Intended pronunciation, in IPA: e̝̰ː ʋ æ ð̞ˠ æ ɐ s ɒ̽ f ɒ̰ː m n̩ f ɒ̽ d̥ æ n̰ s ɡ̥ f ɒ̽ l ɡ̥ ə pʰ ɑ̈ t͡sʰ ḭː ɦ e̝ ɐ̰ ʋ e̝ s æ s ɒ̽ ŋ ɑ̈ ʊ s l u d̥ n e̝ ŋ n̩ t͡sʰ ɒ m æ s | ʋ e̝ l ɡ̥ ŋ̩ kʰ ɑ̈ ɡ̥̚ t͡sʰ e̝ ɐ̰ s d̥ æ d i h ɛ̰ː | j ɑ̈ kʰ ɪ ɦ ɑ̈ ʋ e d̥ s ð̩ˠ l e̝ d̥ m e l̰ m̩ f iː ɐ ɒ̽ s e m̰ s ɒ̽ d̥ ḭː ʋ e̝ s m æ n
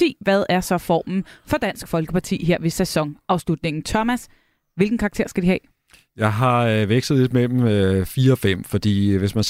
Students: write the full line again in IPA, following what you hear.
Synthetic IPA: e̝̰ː ʋ æ ð̞ˠ æ ɐ s ɒ̽ f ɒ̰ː m n̩ f ɒ̽ d̥ æ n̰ s ɡ̥ f ɒ̽ l ɡ̥ ə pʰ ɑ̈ t͡sʰ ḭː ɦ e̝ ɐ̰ ʋ e̝ s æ s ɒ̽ ŋ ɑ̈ ʊ s l u d̥ n e̝ ŋ n̩ t͡sʰ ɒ m æ s | ʋ e̝ l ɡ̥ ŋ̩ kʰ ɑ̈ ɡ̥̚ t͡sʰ e̝ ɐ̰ s ɡ̥ æ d i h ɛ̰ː | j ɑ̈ ɪ ɦ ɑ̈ ʋ e ɡ̥ s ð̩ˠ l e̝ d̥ m e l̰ m̩ f iː ɐ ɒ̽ f e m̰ f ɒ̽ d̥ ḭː ʋ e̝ s m æ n